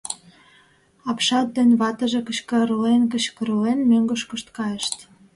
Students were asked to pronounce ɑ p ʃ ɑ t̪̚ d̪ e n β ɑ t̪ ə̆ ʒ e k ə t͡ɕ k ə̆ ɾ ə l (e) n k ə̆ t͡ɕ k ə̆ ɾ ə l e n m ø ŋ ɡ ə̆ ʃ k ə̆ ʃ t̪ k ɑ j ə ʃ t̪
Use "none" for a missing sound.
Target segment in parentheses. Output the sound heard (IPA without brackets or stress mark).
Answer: e